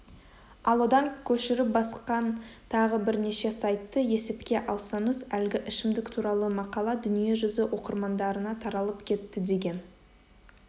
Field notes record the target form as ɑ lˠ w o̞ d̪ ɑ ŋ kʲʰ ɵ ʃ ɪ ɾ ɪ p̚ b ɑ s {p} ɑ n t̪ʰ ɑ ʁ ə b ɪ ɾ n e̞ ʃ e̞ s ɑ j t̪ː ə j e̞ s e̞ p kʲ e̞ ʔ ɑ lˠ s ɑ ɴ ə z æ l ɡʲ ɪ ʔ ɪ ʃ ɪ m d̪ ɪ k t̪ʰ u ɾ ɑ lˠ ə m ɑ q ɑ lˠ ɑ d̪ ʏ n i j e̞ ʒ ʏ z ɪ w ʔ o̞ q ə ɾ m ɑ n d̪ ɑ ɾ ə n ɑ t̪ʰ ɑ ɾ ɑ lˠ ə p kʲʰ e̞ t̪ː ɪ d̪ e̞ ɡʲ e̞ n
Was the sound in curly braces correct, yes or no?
no